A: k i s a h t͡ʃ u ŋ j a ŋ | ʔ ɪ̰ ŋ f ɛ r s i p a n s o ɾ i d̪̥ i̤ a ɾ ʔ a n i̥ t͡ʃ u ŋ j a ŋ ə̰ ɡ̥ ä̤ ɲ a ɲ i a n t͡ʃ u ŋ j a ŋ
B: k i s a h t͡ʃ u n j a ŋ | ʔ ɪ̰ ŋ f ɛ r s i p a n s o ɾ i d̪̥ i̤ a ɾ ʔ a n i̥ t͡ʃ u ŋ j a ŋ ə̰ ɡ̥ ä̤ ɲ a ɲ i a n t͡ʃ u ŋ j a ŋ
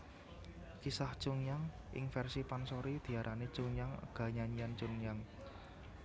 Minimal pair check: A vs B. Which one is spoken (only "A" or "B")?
A